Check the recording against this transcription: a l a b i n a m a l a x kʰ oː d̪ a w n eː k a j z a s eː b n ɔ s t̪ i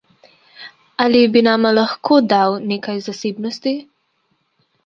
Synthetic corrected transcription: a l i b i n a m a l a x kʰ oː d̪ a w n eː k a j z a s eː b n ɔ s t̪ i